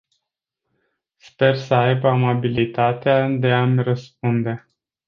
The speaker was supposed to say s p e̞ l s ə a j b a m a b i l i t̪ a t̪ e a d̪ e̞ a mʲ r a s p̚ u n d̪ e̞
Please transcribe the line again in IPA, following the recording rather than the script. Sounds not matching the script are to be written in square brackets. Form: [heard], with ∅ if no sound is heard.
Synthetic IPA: s p e̞ [r] s ə a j b a m a b i l i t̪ a t̪ e a d̪ e̞ a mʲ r [ə] s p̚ u n d̪ e̞